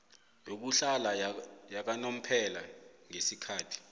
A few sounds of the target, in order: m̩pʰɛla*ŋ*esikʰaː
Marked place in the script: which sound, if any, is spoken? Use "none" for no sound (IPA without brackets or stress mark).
ŋ